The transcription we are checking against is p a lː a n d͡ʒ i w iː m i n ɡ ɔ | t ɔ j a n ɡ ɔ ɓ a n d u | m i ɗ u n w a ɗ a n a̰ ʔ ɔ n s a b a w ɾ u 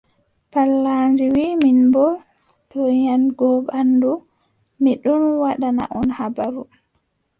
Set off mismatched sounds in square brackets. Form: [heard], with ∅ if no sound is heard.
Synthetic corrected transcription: p a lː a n d͡ʒ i w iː m i n [b] ɔ | t ɔ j a n ɡ ɔ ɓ a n d u | m i ɗ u n w a ɗ a n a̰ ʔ ɔ n [h] a b a [∅] ɾ u